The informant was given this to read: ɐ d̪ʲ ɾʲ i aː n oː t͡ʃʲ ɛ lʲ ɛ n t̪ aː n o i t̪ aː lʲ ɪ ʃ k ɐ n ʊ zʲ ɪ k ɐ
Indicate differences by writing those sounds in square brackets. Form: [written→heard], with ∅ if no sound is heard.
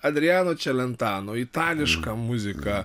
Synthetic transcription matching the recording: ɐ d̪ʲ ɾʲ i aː n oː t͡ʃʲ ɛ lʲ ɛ n t̪ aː n o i t̪ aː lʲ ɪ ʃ k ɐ [n→m] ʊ zʲ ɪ k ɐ